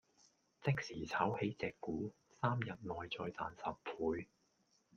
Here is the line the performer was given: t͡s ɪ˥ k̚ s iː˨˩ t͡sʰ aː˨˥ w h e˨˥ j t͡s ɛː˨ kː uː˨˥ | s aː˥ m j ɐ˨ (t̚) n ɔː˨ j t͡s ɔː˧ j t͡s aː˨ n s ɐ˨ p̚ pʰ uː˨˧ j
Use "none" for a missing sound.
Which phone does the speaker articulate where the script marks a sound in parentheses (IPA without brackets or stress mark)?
t̚